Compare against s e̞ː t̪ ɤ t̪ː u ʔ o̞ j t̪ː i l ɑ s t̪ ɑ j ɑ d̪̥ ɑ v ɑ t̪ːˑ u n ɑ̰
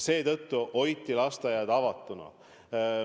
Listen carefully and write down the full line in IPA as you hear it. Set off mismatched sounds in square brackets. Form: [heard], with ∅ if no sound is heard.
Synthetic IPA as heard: s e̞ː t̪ ɤ t̪ː u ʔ o̞ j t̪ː i l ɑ s t̪ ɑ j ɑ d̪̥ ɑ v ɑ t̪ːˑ u n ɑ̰